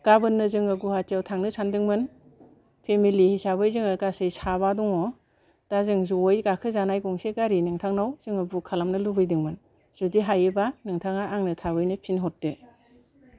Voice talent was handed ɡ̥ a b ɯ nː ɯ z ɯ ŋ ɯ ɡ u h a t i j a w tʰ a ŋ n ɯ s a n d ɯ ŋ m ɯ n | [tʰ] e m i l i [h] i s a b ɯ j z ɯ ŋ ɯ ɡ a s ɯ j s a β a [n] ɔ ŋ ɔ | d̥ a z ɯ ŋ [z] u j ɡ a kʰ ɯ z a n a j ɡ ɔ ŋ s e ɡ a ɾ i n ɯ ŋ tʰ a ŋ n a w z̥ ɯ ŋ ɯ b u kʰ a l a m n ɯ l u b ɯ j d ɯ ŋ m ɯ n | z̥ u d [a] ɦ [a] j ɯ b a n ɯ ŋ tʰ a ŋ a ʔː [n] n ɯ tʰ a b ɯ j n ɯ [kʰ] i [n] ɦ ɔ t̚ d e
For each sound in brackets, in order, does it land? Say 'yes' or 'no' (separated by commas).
no, yes, no, yes, no, yes, no, no, yes